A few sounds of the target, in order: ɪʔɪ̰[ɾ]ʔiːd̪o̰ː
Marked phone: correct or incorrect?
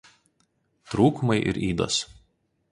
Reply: correct